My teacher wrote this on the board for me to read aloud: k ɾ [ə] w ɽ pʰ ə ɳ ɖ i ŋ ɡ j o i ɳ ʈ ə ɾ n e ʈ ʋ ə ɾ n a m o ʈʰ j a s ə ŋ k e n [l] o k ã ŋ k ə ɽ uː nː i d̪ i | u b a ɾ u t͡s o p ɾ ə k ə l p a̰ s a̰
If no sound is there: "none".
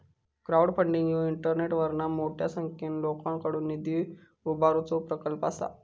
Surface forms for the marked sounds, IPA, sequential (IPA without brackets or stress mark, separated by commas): a, l